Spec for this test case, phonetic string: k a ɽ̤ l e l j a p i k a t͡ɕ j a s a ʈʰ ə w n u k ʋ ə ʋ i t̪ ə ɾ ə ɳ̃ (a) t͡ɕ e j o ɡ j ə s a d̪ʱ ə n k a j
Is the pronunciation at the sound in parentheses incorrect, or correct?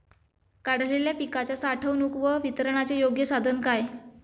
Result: correct